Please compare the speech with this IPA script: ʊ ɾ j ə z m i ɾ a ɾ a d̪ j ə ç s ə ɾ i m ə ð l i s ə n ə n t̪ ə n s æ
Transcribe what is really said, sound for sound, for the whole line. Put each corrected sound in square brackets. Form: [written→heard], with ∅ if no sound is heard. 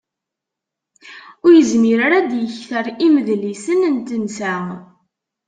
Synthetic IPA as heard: ʊ ɾ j ə z m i ɾ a ɾ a d̪ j ə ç [s→θ] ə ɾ i m ə ð l i s ə n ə n t̪ ə n s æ